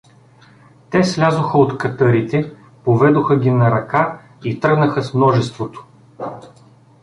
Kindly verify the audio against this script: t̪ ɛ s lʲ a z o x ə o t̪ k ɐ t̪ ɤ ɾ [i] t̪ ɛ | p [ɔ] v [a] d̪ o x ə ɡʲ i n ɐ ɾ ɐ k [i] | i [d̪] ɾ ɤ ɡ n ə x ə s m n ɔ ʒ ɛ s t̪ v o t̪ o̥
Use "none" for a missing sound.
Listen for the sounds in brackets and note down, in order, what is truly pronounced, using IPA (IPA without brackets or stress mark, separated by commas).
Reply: i, o, ɛ, a, t̪